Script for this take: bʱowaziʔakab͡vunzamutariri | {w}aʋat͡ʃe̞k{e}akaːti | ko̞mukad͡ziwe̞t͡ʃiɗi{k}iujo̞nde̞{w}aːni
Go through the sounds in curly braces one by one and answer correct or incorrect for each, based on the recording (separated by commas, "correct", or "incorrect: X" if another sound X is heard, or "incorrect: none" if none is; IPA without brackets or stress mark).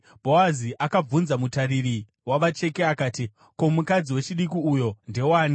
correct, correct, correct, correct